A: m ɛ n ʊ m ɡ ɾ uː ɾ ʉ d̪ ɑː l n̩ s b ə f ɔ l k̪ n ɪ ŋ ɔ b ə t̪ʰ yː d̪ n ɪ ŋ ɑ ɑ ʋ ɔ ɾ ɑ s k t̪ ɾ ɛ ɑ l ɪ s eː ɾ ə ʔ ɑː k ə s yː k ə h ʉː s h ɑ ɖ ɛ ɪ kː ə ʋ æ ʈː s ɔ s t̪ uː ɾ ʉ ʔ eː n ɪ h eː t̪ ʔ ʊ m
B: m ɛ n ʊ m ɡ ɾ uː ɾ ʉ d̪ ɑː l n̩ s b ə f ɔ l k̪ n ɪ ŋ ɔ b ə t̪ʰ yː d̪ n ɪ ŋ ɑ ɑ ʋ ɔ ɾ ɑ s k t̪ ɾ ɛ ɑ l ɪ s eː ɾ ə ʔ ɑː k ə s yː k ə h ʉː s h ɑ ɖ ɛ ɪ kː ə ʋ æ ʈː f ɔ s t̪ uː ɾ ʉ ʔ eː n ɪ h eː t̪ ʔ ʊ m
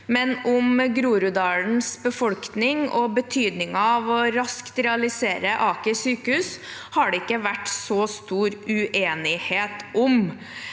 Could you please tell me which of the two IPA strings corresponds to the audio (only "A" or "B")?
A